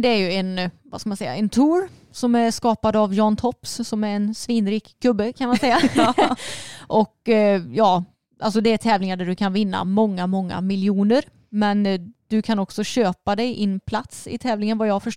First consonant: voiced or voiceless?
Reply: voiced